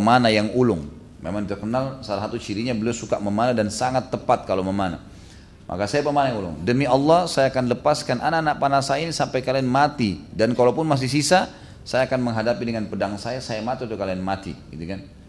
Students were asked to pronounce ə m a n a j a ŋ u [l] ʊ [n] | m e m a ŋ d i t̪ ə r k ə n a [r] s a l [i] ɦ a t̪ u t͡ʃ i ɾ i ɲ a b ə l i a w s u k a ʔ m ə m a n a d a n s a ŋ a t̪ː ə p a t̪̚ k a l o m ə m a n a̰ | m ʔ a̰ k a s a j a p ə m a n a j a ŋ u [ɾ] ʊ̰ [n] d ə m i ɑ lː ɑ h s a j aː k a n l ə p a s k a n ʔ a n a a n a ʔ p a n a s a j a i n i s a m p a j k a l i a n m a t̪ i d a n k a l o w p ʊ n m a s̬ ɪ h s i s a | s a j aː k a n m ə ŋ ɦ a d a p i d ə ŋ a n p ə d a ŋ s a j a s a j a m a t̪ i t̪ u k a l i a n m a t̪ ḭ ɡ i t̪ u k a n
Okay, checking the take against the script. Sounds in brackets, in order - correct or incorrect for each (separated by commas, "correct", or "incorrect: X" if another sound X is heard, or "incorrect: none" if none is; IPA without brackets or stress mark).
correct, incorrect: ŋ, incorrect: l, incorrect: a, incorrect: l, incorrect: ŋ